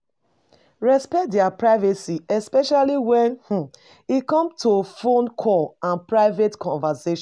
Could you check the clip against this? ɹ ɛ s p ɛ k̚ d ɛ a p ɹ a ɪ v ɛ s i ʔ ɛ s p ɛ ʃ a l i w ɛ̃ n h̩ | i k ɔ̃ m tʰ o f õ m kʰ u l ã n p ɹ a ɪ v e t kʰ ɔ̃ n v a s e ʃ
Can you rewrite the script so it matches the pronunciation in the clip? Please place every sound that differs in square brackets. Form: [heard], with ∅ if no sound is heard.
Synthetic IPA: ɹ ɛ s p ɛ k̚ d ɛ a p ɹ a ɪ v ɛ s i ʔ ɛ s p ɛ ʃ a l i w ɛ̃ n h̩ | i k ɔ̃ m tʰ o f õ [n] kʰ [ɔ] l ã n p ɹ a ɪ v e t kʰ ɔ̃ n v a s e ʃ

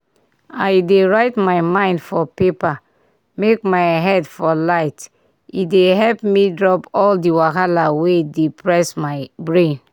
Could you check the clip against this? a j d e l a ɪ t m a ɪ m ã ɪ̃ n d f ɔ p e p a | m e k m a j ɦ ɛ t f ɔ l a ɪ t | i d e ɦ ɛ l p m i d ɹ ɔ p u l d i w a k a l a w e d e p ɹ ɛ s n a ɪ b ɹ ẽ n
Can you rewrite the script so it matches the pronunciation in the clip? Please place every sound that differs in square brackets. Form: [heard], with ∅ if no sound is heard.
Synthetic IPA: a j d e [ɹ] a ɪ t m a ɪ m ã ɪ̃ n d f ɔ p e p a | m e k m a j ɦ ɛ [d] f ɔ l a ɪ t | i d e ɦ ɛ l p m i d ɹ ɔ p [ɔ] l d i w a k a l a w e d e p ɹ ɛ s [m] a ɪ b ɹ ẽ n

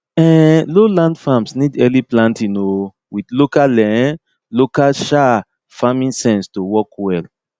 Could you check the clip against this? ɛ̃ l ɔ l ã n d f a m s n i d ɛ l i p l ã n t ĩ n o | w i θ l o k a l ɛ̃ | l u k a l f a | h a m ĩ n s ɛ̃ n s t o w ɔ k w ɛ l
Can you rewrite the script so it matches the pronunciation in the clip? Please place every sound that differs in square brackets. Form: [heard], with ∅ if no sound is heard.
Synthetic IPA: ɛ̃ l [o] l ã n d f a m s n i d ɛ l i p l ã n t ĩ n o | w i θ l o k a l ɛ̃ | l [o] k a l [ʃ] a | [f] a m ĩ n s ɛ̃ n s t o w ɔ k w ɛ l

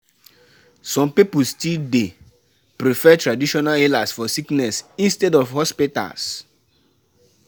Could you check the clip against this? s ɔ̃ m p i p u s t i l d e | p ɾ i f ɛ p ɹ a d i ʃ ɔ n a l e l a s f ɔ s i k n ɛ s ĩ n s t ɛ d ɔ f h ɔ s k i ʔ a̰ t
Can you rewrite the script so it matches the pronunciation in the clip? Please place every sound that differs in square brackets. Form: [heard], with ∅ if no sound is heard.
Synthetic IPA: s ɔ̃ m p i p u s t i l d e | p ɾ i f ɛ [t] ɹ a d i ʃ ɔ n a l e l a s f ɔ s i k n ɛ s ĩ n s t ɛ d ɔ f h ɔ s [p] i [t] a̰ [s]

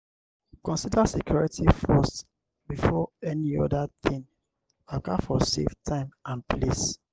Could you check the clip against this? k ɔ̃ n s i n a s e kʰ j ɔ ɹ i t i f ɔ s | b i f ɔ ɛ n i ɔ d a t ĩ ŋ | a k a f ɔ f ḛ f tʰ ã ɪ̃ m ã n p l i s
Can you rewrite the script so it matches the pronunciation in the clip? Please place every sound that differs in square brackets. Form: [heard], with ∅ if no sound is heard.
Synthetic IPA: k ɔ̃ n s i [d] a s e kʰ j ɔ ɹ i t i f ɔ s | b i f ɔ ɛ n i ɔ d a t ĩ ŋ | a k a f ɔ [s] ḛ f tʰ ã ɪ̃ m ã n p l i s

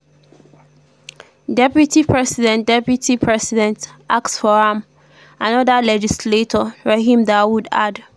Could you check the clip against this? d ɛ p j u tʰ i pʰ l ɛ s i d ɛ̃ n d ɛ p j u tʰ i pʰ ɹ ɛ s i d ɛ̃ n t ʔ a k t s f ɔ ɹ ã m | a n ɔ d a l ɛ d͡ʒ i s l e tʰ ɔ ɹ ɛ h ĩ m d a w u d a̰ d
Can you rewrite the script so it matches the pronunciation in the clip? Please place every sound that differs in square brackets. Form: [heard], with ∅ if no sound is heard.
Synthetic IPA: d ɛ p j u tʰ i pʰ [ɹ] ɛ s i d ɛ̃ n d ɛ p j u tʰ i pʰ ɹ ɛ s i d ɛ̃ n t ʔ a k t s f ɔ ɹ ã m | a n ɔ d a l ɛ d͡ʒ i s l e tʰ ɔ ɹ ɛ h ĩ m d a w u d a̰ d

